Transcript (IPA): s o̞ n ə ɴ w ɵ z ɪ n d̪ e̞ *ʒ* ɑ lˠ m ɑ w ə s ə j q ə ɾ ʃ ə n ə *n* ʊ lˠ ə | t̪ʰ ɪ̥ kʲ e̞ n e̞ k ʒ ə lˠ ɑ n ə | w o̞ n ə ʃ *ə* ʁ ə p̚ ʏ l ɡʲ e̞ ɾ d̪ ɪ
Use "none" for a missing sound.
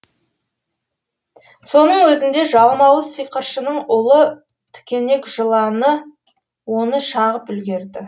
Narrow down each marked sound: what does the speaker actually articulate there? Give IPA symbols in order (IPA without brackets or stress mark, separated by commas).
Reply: ʒ, ɴ, ɑ